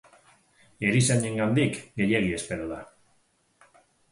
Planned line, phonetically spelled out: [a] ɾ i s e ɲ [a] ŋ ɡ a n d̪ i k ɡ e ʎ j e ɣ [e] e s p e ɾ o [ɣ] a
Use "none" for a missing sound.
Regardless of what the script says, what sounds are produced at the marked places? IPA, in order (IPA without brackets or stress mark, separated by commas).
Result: e, e, i, ð